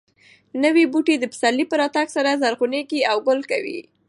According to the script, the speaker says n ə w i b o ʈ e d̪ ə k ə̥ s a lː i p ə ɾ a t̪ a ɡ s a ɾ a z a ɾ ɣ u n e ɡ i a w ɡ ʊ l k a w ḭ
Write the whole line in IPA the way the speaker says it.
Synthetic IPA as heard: n ə w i b u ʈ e d̪ ə p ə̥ s a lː i p ə ɾ ɑ t̪ a ɡ s a ɾ a z a ɾ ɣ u n e ɡ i a w ɡ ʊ l k a w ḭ